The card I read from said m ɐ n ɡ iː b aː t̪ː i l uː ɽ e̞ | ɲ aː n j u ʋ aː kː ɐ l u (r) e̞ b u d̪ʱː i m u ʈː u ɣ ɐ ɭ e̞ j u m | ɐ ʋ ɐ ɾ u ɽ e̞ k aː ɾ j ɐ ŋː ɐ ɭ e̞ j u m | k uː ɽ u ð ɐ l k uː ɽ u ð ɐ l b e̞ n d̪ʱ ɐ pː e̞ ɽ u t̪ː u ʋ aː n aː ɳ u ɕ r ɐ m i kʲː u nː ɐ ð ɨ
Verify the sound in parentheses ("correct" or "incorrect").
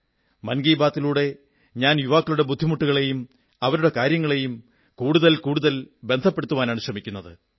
incorrect